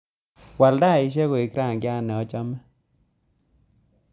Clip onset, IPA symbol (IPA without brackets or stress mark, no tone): w